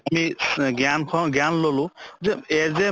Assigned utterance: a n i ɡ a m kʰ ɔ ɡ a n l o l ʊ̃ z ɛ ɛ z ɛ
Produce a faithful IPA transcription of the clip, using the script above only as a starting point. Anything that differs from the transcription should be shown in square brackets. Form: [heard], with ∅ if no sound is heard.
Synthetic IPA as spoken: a [m] i ɡ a [n] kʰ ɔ ɡ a n l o l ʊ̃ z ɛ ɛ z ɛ